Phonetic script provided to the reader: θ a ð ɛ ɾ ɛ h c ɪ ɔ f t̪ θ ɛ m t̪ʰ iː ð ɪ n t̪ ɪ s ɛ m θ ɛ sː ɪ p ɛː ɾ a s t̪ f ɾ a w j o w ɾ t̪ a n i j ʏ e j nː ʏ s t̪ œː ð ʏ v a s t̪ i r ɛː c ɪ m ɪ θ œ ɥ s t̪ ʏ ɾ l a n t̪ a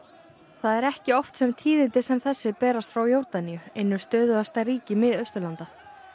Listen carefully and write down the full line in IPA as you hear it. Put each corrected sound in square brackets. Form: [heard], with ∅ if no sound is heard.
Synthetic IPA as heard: θ a ð ɛ ɾ ɛ h c ɪ ɔ f t̪ [s] ɛ m t̪ʰ iː ð ɪ n t̪ ɪ s ɛ m θ ɛ sː ɪ p ɛː ɾ a s t̪ f ɾ a w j o w ɾ t̪ a n i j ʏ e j nː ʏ s t̪ œː ð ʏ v a s t̪ [a] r [iː] c ɪ m ɪ [ð] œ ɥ s t̪ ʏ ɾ l a n t̪ a